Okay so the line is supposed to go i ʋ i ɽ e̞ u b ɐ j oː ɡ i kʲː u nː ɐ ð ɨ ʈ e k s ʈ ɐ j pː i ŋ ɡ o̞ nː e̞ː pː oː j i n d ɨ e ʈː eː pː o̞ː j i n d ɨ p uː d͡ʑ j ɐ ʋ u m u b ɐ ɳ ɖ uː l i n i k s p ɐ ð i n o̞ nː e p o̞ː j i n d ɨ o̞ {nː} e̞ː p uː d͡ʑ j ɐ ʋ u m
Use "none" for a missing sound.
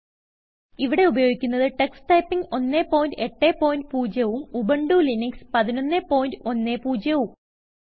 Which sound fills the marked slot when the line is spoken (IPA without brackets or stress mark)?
nː